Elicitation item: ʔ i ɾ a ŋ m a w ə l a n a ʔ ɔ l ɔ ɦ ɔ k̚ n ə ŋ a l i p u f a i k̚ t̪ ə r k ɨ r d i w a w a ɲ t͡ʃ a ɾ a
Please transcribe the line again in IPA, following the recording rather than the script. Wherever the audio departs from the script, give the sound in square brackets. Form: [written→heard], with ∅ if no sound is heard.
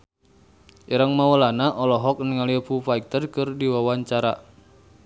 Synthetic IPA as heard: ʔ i ɾ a ŋ m a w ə l a n a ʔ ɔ l ɔ ɦ ɔ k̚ n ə ŋ a l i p u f a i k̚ t̪ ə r k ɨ r d i w a w a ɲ t͡ʃ a ɾ a

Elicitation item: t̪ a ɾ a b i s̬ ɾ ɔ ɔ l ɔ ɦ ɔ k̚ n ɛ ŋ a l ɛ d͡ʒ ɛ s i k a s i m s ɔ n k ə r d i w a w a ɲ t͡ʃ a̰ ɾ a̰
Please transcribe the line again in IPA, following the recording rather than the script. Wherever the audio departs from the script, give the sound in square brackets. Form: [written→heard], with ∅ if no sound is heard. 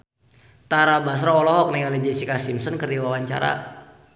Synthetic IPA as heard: t̪ a ɾ a b [i→a] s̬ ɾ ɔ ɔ l ɔ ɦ ɔ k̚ n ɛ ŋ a l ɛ d͡ʒ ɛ s i k a s i m s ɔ n k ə r d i w a w a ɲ t͡ʃ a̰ ɾ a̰

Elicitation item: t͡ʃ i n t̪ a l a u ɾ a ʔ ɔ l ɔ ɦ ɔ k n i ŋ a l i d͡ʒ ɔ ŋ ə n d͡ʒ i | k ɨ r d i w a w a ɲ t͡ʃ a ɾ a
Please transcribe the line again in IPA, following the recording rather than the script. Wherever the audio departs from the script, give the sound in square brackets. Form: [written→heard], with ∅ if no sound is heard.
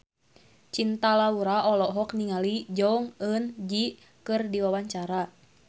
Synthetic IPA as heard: t͡ʃ i n t̪ a l a u ɾ a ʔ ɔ l ɔ ɦ ɔ k n i ŋ a l i d͡ʒ ɔ ŋ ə n d͡ʒ i | k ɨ r d i w a w a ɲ t͡ʃ a ɾ a

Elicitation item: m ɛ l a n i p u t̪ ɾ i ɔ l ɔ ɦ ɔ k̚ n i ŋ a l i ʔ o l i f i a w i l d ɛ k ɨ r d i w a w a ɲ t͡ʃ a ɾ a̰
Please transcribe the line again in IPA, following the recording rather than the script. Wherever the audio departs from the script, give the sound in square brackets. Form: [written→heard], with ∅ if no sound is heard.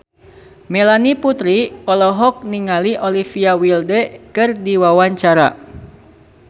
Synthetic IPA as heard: m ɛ l a n i p u t̪ ɾ i ɔ l ɔ ɦ ɔ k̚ n i ŋ a l i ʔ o l i f i a w i l d ɛ k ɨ r d i w a w a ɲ t͡ʃ a ɾ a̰

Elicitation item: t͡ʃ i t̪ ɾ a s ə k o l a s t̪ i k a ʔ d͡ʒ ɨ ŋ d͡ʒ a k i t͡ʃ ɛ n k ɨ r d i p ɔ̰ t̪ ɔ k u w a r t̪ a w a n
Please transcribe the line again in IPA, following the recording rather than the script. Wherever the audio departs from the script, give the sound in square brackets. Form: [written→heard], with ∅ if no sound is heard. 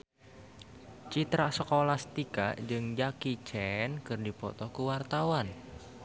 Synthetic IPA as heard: t͡ʃ i t̪ ɾ a s ə k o l a s t̪ i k a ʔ d͡ʒ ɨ ŋ d͡ʒ a k i t͡ʃ ɛ n k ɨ r d i p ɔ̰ t̪ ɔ k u w a r t̪ a w a n

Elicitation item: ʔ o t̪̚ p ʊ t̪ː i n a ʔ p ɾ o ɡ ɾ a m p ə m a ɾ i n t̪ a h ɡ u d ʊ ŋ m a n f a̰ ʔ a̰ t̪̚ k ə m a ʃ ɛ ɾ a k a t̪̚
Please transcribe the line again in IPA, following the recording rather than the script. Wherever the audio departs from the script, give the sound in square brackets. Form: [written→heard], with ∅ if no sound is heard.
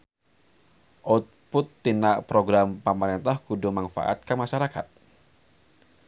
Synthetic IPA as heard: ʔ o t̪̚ p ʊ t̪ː i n a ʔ p ɾ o ɡ ɾ a m p ə m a ɾ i n t̪ a h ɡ u d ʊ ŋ m a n f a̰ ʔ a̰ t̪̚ k ə m a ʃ [ɛ→a] ɾ a k a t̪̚

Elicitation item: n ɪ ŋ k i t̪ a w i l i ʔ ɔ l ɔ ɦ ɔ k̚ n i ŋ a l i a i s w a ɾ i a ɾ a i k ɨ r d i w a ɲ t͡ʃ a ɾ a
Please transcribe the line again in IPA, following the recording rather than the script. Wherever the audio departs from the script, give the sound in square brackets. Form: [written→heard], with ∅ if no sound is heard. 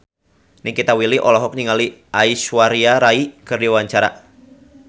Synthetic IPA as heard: n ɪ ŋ k i t̪ a w i l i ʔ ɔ l ɔ ɦ ɔ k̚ n i ŋ a l i a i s w a ɾ i a ɾ a i k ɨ r d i w a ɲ t͡ʃ a ɾ a

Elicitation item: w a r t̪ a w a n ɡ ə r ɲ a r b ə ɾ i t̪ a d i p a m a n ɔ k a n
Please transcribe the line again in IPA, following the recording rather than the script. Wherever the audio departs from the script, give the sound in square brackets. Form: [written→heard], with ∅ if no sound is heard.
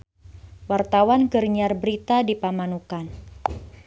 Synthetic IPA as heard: w a r t̪ a w a n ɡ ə r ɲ a r b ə ɾ i t̪ a d i p a m a n [ɔ→u] k a n

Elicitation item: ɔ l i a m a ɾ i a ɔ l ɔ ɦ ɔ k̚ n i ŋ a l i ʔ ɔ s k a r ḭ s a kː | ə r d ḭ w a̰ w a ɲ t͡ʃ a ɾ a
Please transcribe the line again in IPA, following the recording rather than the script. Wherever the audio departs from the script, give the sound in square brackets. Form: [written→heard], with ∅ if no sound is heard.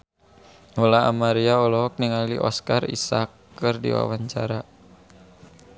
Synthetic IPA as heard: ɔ l [i→a] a m a ɾ i a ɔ l ɔ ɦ ɔ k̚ n i ŋ a l i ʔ ɔ s k a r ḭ s a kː | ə r d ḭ w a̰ w a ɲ t͡ʃ a ɾ a

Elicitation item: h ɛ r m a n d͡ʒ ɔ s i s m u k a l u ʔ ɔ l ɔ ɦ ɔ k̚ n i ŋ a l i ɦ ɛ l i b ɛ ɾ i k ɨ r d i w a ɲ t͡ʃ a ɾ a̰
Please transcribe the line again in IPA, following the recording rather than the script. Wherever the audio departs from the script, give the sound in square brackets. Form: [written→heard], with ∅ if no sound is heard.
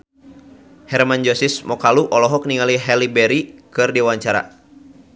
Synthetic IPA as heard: h ɛ r m a n d͡ʒ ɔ s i s m [u→ɔ] k a l u ʔ ɔ l ɔ ɦ ɔ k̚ n i ŋ a l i ɦ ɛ l i b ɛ ɾ i k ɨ r d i w a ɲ t͡ʃ a ɾ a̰

